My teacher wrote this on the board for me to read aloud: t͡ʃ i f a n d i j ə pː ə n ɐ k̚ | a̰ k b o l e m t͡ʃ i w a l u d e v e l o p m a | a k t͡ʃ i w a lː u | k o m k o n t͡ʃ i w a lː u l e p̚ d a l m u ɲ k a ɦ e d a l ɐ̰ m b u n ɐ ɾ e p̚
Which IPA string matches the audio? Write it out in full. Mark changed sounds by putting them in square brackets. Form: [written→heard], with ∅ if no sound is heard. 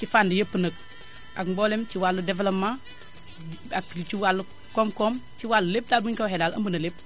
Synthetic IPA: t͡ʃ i f a n d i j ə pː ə n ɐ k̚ | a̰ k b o l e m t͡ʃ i w a l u d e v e l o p m a | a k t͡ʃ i w a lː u | k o m k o [n→m] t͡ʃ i w a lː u l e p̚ d a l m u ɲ k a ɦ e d a l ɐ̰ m b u n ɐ [ɾ→l] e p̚